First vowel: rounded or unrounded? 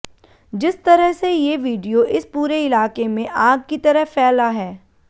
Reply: unrounded